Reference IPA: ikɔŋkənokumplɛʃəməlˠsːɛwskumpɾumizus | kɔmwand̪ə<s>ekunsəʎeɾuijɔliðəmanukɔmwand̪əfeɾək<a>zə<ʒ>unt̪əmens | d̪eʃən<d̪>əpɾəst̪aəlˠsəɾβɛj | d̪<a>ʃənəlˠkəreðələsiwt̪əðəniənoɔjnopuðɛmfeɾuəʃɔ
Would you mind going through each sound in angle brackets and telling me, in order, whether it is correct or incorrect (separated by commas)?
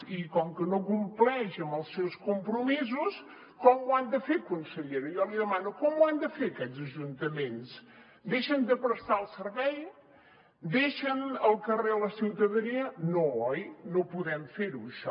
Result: incorrect, incorrect, correct, correct, incorrect